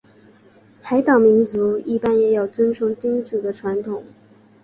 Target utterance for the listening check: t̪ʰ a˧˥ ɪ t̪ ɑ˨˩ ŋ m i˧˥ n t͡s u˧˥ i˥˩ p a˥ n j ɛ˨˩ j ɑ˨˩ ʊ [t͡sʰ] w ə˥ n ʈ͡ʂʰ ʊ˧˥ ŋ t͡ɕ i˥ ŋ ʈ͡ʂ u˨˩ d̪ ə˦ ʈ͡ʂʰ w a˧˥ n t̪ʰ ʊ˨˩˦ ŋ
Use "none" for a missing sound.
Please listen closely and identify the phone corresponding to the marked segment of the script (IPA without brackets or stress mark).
t͡s